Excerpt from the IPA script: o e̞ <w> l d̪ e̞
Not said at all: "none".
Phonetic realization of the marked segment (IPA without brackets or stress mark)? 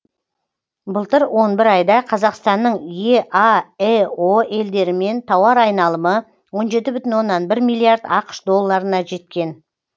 none